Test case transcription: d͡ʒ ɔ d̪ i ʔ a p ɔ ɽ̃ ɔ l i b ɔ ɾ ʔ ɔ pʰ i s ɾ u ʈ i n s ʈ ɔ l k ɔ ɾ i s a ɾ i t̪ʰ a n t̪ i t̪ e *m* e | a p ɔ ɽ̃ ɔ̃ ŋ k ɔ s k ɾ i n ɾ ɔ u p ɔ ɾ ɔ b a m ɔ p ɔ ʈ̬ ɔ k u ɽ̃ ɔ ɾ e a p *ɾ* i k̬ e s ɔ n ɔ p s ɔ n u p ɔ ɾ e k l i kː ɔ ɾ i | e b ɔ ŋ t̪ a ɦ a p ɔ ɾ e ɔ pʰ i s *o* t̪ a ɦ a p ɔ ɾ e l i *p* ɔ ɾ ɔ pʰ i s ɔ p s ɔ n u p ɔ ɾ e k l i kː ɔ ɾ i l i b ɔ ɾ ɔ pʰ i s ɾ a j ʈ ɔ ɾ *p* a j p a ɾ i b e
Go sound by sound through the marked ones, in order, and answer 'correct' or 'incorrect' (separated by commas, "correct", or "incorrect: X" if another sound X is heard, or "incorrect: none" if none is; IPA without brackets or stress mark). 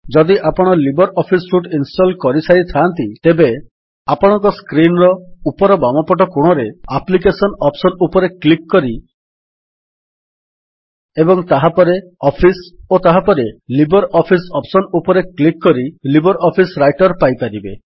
incorrect: b, incorrect: l, correct, incorrect: b, correct